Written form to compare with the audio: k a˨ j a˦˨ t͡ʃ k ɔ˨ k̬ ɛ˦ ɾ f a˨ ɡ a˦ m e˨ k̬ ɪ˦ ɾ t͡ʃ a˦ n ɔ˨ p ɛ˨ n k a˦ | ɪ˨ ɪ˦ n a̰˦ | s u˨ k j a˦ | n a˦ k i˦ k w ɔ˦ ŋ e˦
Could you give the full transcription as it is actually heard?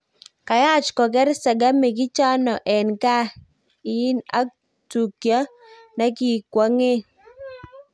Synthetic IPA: k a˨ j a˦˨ t͡ʃ k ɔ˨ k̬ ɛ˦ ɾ s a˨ ɡ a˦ m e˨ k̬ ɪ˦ t͡ʃ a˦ n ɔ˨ ʔ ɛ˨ n k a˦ | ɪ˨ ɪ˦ n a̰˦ | t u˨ k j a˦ | n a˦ k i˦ k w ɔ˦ ŋ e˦